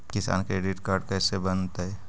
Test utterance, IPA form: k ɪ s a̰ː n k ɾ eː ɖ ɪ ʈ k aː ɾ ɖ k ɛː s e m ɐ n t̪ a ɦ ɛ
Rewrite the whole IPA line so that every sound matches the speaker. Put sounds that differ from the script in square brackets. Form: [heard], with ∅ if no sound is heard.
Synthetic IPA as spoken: k ɪ s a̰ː n k ɾ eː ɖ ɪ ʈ k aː ɾ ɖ k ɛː s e [b] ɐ n t̪ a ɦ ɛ